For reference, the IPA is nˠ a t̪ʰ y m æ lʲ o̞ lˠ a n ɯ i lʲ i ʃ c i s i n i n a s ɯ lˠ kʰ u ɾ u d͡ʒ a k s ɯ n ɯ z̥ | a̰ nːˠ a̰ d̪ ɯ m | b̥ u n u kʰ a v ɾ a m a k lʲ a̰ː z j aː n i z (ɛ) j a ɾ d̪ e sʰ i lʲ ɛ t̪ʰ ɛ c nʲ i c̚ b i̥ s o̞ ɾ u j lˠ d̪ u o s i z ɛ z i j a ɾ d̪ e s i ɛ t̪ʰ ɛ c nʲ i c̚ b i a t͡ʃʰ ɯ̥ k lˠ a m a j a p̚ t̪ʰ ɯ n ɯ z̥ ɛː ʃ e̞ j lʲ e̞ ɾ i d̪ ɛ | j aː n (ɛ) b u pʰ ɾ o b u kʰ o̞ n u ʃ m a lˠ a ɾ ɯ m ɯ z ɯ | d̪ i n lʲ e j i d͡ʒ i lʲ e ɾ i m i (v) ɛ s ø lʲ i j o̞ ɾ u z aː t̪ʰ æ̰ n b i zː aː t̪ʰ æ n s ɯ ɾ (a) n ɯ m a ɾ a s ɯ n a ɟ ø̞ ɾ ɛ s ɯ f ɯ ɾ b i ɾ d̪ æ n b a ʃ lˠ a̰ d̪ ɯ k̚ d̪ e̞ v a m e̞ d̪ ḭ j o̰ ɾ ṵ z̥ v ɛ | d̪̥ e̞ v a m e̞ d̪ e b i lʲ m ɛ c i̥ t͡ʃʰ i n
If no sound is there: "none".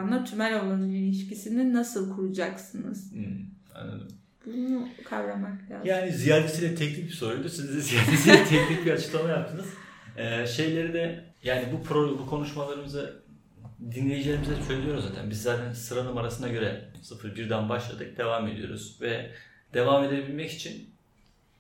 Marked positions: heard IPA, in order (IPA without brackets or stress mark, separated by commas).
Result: i, i, z, a